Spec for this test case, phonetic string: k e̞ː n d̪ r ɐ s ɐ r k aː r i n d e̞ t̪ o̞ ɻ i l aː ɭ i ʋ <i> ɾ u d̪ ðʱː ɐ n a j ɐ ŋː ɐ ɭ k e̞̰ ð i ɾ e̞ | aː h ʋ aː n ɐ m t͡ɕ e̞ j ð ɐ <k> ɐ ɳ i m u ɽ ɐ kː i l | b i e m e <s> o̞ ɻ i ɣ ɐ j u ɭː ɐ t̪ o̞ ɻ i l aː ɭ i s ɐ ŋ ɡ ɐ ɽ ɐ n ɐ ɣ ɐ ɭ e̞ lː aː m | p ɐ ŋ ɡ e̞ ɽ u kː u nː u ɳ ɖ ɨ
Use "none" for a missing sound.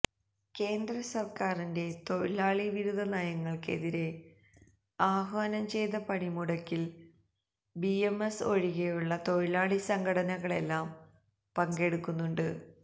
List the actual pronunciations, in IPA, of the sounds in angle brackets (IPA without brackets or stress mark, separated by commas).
i, p, s